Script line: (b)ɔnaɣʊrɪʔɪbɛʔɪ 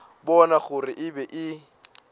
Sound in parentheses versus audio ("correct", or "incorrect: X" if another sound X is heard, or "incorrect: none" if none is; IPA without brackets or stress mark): correct